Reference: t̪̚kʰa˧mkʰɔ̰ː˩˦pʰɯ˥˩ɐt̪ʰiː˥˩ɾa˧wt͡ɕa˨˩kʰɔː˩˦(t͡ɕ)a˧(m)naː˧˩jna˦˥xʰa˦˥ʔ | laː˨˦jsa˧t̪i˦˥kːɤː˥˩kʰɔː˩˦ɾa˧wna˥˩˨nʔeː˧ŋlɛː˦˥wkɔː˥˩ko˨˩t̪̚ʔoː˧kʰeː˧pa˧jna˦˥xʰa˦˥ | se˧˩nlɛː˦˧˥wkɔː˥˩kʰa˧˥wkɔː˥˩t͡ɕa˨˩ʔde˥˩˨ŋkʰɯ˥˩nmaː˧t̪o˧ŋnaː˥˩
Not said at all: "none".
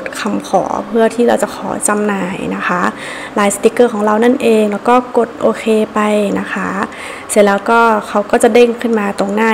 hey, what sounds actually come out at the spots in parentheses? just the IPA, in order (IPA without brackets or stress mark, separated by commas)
t͡ɕ, m